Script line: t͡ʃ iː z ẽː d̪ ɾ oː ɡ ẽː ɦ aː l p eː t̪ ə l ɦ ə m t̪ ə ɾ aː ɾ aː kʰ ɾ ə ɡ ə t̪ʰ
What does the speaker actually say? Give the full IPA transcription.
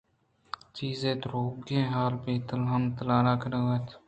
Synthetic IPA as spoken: t͡ʃ iː z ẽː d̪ ɾ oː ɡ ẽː ɦ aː l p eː t̪ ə l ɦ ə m t̪ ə l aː ɾ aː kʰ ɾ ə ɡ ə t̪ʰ

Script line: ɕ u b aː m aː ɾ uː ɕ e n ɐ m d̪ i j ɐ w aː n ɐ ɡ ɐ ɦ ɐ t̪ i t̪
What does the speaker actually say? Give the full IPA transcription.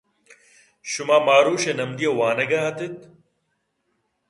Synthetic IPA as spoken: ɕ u m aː m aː ɾ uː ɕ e n ɐ m d̪ i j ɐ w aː n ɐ ɡ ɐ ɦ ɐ t̪ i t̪

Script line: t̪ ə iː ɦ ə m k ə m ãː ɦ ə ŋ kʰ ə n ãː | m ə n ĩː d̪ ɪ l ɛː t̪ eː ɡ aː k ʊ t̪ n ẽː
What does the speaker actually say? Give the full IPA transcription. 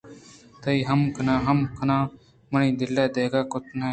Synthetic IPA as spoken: t̪ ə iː ɦ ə m k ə n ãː ɦ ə m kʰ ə n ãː | m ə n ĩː d̪ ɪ l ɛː d̪ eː ɡ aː k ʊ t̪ n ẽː

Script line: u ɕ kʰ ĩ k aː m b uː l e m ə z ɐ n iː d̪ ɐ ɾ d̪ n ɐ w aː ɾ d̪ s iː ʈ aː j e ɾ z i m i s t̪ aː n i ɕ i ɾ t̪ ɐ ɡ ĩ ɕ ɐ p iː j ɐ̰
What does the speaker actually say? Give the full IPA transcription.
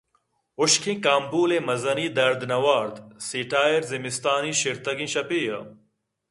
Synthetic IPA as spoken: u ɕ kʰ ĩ k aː m b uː l e m ɐ z ɐ n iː d̪ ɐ ɾ d̪ n ɐ w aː ɾ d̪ s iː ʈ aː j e ɾ z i m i s t̪ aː n i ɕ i ɾ t̪ ɐ ɡ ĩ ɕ ɐ p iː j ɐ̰

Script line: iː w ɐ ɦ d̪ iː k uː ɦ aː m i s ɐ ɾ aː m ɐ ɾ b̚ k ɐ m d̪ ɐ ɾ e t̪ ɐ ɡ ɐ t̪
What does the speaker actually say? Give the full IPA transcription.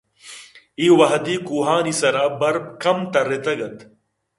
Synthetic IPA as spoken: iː w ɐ ɦ d̪ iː k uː ɦ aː n i s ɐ ɾ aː b ɐ ɾ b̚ k ɐ m t̪ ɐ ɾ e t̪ ɐ ɡ ɐ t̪

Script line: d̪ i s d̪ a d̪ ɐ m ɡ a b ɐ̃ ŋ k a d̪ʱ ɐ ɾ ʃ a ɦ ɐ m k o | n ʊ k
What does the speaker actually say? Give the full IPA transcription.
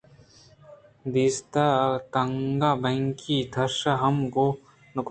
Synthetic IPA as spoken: d̪ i s t̪ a t̪ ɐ ŋ ɡ a b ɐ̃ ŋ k i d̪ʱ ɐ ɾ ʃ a ɦ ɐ m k o | n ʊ k

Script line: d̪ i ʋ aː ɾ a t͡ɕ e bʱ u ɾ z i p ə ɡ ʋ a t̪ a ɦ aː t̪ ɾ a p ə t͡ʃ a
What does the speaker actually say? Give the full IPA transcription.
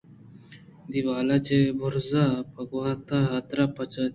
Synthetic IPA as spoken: d̪ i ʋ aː l a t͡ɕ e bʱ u ɾ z a p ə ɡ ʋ a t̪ a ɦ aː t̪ ɾ a p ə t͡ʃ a

